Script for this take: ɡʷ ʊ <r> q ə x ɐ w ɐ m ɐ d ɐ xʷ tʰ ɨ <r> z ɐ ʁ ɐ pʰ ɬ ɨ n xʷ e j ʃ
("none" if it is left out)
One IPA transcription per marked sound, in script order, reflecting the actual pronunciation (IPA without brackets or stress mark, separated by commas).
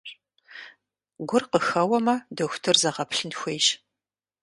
r, r